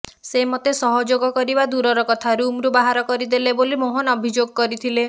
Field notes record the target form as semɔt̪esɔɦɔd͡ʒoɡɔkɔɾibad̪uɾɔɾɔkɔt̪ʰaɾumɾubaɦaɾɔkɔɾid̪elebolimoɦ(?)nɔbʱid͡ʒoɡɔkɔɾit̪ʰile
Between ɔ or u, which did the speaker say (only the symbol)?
ɔ